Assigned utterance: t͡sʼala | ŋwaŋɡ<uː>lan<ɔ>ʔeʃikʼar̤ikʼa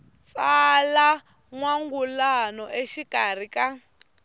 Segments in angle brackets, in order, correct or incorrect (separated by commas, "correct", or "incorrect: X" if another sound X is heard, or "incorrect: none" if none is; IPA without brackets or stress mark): incorrect: u, correct